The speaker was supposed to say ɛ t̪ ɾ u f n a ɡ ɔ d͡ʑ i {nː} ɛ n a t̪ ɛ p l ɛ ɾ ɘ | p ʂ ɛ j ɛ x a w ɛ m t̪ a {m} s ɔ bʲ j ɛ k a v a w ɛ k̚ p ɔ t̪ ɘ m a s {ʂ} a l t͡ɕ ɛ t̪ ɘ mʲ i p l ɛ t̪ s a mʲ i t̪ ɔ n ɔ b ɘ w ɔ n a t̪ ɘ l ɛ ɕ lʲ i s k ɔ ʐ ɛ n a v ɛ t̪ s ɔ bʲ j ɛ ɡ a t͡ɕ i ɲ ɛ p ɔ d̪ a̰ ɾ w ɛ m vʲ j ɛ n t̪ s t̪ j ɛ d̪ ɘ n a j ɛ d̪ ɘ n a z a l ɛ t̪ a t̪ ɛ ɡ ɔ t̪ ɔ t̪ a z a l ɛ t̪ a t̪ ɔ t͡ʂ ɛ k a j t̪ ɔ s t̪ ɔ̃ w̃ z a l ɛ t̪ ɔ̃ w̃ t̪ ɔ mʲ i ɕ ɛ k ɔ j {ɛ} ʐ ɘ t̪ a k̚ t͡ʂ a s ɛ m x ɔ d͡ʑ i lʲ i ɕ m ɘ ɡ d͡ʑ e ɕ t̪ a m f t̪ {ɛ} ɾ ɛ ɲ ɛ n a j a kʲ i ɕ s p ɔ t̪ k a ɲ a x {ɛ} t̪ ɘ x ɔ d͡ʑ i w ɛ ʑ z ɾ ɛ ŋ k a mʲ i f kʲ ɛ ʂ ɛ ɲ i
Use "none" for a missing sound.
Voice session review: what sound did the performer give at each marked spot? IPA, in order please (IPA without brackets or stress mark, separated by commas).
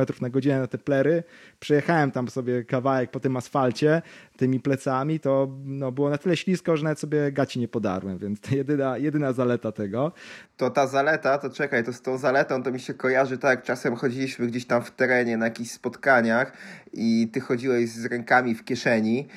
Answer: n, m, f, a, ɛ, i